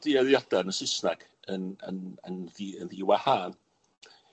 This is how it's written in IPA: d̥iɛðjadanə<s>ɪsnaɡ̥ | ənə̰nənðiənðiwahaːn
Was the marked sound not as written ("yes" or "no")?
no